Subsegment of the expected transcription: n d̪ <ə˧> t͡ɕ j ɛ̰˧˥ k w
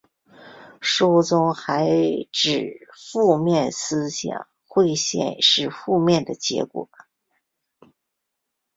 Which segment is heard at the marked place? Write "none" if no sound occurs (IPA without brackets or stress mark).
ə˩